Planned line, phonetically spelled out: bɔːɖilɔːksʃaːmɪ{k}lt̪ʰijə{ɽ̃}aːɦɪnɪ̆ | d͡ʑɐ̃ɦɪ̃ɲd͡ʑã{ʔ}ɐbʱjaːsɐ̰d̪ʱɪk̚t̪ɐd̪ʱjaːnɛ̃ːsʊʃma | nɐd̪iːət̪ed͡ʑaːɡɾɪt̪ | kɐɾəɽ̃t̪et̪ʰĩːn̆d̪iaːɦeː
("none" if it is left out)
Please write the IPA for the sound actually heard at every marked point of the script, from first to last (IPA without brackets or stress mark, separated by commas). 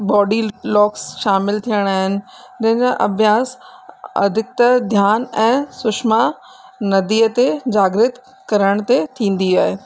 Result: none, ɽ̃, ʔ